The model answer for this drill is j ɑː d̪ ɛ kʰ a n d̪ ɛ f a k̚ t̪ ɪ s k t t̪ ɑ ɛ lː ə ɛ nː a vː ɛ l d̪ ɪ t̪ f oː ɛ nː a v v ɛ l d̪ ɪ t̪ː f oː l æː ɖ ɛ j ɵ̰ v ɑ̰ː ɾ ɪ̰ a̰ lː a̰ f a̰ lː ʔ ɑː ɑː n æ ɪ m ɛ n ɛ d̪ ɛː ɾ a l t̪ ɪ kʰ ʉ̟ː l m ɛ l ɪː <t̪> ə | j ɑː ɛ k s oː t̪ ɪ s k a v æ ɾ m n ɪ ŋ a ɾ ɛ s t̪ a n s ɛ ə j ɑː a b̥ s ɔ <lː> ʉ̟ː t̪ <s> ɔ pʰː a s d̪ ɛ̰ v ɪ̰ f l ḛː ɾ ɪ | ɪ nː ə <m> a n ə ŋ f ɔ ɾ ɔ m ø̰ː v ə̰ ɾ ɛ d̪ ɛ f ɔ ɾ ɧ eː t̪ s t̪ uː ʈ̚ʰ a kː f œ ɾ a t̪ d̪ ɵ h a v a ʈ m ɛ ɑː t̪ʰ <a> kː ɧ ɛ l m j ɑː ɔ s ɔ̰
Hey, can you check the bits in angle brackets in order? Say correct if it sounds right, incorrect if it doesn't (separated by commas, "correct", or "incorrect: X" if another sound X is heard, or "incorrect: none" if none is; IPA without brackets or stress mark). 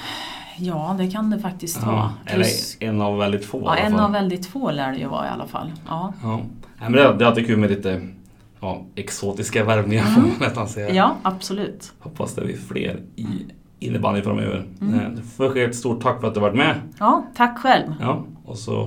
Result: correct, incorrect: l, incorrect: h, incorrect: b, correct